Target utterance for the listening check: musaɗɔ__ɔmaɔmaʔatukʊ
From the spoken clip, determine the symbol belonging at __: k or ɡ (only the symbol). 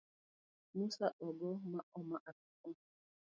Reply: ɡ